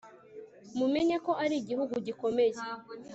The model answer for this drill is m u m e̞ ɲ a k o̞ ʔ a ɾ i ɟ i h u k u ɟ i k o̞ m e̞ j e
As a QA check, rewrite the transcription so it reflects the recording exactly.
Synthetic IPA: m u m e̞ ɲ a k o̞ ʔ a ɾ i ɟ i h u ɡ u ɟ i k o̞ m e̞ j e